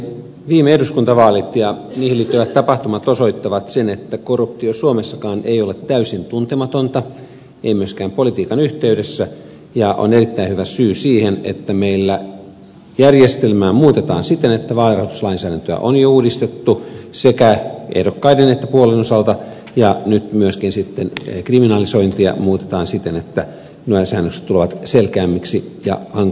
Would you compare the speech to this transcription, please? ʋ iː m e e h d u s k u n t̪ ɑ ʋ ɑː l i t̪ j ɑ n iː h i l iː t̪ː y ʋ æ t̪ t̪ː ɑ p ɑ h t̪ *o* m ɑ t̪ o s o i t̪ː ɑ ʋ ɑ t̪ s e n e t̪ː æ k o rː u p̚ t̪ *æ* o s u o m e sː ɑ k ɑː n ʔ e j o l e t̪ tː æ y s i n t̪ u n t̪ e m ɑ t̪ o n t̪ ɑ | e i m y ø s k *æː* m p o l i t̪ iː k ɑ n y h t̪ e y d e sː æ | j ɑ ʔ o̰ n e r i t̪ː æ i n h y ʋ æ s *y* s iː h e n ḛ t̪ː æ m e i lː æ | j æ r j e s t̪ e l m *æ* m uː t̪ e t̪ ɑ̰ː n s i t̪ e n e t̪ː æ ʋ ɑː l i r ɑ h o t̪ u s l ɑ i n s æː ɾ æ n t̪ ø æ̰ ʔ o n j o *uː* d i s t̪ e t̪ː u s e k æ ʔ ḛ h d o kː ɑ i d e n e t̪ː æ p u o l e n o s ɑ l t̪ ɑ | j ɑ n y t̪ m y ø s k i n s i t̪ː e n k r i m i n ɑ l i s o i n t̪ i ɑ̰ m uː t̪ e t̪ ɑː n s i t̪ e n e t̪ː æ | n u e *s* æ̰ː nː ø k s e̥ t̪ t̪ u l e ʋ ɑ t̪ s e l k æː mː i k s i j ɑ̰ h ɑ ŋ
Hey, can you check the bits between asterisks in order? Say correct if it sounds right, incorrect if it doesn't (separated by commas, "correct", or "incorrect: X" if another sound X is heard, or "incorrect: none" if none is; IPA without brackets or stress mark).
incorrect: u, incorrect: i, correct, incorrect: yː, incorrect: æː, correct, correct